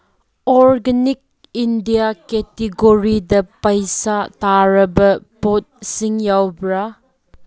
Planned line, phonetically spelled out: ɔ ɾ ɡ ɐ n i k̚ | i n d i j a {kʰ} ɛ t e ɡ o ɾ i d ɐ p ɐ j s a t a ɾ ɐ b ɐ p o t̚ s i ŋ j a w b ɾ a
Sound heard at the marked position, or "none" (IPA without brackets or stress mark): k